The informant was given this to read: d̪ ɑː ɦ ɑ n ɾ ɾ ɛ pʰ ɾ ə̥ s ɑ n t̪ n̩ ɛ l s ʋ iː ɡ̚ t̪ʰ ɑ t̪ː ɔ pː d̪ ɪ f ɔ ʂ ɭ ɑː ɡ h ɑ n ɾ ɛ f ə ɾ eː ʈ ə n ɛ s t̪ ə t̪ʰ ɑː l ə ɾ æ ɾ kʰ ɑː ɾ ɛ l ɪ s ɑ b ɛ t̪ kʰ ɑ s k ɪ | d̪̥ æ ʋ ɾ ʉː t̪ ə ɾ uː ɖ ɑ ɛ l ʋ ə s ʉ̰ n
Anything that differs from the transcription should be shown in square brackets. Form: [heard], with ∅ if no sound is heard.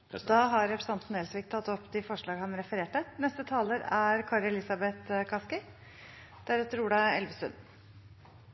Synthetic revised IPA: d̪ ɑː ɦ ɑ [∅] ɾ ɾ ɛ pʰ ɾ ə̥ s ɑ n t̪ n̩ ɛ l s ʋ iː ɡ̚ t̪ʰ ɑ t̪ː ɔ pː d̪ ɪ f ɔ ʂ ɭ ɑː ɡ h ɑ n ɾ ɛ f ə ɾ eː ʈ ə n ɛ s t̪ ə t̪ʰ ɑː l ə ɾ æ ɾ kʰ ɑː ɾ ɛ l ɪ s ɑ b ɛ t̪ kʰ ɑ s k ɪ | d̪̥ æ [∅] ɾ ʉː t̪ ə ɾ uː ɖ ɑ ɛ l ʋ ə s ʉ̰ n